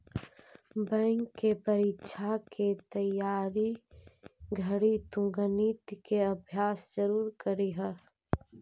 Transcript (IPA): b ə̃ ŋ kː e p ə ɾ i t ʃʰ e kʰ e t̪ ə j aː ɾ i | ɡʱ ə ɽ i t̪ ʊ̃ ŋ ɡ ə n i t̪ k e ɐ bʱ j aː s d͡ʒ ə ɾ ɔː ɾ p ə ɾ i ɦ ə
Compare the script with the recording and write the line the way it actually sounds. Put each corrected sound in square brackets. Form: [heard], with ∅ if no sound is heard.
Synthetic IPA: b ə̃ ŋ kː e p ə ɾ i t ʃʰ [a] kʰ e t̪ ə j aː ɾ i | ɡʱ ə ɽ i t̪ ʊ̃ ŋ ɡ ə n i t̪ k e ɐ bʱ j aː s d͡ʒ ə ɾ [uː] ɾ [k] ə ɾ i ɦ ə

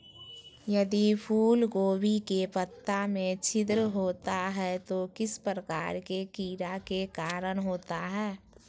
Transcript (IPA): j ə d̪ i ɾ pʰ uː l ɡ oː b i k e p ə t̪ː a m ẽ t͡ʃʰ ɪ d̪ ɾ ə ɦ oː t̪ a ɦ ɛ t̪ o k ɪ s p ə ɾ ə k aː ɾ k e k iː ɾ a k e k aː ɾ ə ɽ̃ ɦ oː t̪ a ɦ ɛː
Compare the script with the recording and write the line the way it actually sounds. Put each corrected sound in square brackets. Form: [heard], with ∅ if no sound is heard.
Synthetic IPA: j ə d̪ i [∅] pʰ uː l ɡ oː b i k e p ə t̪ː a m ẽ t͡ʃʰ ɪ d̪ ɾ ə ɦ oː t̪ a ɦ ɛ t̪ o k ɪ s p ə ɾ ə k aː ɾ k e k iː ɾ a k e k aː ɾ ə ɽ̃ ɦ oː t̪ a ɦ ɛː

